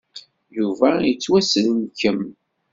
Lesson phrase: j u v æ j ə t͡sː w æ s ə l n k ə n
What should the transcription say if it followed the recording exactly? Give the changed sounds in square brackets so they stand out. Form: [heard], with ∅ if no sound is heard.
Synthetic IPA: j u v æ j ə t͡sː w æ s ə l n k ə [m]